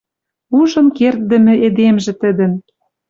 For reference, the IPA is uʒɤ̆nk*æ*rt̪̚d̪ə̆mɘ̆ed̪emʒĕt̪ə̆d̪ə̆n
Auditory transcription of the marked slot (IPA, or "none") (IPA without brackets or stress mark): e